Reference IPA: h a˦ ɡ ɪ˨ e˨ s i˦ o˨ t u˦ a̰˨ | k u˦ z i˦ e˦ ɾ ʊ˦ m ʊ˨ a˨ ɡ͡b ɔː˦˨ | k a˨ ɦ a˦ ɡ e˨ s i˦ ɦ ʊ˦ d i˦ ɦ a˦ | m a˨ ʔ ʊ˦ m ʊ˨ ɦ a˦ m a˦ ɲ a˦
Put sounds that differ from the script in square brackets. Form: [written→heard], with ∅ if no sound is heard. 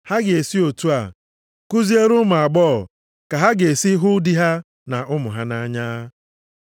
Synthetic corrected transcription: h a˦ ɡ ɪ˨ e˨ s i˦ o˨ t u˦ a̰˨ | k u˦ z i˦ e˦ ɾ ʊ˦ m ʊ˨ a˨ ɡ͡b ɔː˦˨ | k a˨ ɦ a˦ ɡ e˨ s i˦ ɦ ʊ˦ d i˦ ɦ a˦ | [m→n] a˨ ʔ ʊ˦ m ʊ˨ ɦ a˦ [m→n] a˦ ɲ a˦